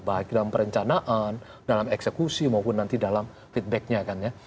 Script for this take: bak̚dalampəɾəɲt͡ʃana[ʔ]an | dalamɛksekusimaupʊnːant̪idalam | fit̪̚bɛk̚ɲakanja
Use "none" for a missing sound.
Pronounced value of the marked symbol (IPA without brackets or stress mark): ʔ